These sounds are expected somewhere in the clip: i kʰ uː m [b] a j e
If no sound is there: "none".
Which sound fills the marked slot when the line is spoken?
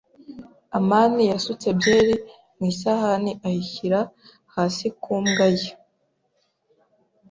ɡ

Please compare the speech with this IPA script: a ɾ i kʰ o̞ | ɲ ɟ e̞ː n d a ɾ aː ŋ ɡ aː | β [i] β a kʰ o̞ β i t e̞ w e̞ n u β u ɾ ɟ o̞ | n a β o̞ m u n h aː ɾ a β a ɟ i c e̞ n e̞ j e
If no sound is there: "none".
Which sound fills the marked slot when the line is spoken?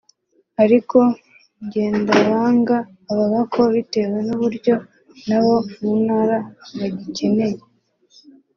a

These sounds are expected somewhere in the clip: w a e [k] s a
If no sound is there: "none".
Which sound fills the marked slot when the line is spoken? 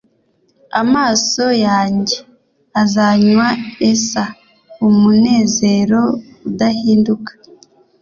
none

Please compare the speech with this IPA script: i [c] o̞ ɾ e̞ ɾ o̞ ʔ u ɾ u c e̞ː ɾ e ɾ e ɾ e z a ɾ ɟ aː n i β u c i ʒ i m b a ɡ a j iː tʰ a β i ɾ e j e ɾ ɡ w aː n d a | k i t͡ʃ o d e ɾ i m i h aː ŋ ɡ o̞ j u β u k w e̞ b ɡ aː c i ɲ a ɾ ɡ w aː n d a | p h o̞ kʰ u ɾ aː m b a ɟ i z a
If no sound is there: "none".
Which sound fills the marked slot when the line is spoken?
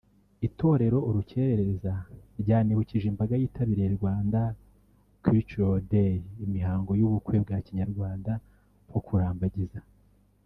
t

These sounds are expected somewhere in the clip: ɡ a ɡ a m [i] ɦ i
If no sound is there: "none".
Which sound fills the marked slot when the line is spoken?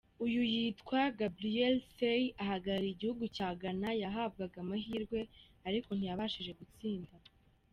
a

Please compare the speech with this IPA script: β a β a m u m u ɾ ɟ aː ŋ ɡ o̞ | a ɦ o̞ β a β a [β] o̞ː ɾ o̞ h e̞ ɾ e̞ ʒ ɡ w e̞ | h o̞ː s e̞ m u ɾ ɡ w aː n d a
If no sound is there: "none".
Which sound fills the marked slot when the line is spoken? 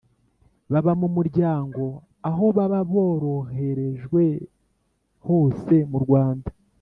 β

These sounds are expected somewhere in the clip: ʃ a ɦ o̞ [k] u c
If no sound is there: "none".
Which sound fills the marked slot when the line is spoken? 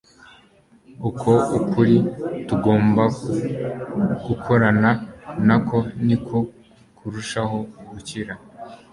ɡ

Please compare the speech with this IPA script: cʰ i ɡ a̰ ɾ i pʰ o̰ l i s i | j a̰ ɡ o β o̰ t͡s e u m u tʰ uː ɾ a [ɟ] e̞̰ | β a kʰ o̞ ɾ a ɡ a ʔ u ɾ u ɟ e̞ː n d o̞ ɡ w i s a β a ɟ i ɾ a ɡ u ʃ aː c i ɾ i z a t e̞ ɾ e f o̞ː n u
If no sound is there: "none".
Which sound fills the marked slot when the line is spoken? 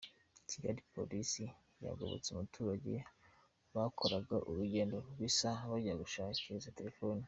ɟ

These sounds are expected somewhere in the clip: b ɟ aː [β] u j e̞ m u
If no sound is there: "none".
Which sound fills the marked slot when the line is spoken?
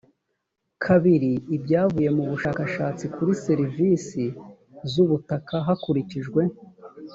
v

